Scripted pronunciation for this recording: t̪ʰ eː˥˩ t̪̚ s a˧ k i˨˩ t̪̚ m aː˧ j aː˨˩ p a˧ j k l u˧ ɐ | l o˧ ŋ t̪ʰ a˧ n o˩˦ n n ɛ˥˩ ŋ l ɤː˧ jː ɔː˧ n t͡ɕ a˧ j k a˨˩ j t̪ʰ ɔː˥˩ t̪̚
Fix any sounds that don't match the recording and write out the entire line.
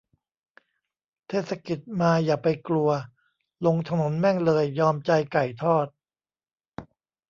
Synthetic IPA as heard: t̪ʰ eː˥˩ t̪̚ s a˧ k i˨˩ t̪̚ m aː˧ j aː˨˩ p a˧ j k l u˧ ɐ | l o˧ ŋ t̪ʰ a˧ n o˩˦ n m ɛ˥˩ ŋ l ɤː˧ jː ɔː˧ m t͡ɕ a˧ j k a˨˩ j t̪ʰ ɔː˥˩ t̪̚